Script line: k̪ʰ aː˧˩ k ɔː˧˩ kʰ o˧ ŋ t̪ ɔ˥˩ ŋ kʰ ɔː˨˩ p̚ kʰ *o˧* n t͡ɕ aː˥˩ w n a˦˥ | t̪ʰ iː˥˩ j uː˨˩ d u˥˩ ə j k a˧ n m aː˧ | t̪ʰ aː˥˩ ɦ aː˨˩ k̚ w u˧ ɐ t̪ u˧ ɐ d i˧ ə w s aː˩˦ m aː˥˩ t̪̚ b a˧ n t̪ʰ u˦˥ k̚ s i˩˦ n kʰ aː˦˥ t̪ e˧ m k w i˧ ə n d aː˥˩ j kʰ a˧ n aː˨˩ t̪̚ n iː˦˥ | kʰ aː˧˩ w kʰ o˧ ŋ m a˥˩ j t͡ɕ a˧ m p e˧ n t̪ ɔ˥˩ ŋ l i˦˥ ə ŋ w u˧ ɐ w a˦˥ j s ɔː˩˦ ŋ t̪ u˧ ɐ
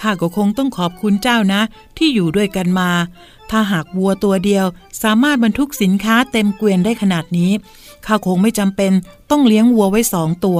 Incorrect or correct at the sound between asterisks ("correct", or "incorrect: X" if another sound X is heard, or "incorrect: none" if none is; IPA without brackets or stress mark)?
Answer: incorrect: u˧